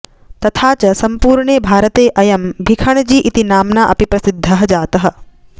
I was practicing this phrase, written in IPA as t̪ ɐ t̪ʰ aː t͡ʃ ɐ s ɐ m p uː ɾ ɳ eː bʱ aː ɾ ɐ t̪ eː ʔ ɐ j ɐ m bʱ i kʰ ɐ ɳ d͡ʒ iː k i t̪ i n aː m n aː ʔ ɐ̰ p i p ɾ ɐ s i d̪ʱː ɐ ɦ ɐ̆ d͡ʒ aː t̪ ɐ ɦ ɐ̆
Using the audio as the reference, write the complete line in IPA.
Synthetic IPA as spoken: t̪ ɐ t̪ʰ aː t͡ʃ ɐ s ɐ m p uː ɾ ɳ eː bʱ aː ɾ ɐ t̪ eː ʔ ɐ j ɐ m bʱ i kʰ ɐ ɳ d͡ʒ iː ʔ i t̪ i n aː m n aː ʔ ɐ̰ p i p ɾ ɐ s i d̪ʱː ɐ ɦ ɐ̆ d͡ʒ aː t̪ ɐ ɦ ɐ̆